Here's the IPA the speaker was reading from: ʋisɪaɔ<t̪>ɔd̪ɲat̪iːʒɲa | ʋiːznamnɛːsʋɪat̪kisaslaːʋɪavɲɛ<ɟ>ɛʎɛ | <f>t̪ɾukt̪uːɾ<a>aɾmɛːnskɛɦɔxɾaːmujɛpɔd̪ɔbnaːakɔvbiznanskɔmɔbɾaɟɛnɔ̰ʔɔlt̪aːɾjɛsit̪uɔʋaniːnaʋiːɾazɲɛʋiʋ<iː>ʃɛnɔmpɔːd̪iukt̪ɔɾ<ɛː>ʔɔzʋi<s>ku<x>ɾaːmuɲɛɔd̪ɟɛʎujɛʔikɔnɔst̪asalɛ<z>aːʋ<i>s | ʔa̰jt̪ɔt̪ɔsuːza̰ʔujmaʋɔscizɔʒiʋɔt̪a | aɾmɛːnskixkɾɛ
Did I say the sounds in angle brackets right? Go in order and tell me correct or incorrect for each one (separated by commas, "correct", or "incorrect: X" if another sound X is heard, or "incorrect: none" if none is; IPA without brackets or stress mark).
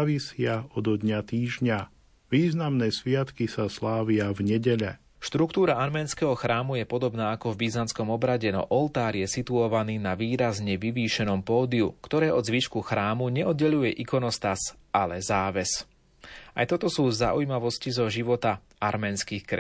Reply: incorrect: d̪, correct, incorrect: ʃ, correct, correct, correct, incorrect: ʃ, correct, correct, incorrect: ɛ